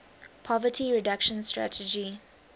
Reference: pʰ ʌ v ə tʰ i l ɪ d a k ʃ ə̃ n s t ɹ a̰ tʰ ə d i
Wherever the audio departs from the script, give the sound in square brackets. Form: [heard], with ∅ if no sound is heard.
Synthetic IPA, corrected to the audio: pʰ [ɔ] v ə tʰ i [ɹ] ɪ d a k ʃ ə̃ n s t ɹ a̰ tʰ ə [d͡ʒ] i